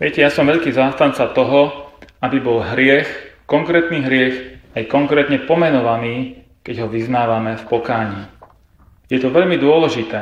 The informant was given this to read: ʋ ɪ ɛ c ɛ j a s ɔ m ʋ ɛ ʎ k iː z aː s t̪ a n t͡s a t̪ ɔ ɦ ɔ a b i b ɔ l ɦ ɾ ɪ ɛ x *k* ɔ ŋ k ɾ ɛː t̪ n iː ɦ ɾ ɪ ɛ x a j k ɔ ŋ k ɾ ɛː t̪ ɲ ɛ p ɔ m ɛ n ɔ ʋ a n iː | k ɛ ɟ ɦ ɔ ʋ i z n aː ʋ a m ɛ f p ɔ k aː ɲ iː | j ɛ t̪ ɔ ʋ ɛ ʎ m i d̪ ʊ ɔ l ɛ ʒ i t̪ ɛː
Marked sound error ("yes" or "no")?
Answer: no